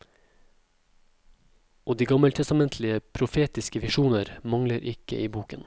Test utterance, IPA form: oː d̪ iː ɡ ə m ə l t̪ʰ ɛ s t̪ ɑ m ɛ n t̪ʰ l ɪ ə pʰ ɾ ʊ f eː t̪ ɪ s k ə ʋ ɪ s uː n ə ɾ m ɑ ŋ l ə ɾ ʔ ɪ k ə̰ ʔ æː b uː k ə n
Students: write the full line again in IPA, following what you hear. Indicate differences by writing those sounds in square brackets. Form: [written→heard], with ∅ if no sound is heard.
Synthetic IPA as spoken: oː d̪ iː ɡ [ə→ɑ] m ə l t̪ʰ ɛ s t̪ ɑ m ɛ n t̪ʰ l ɪ ə pʰ ɾ ʊ f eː t̪ ɪ s k ə ʋ ɪ [s→ʃ] uː n ə ɾ m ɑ ŋ l ə ɾ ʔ ɪ k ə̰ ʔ [æː→iː] b uː k ə n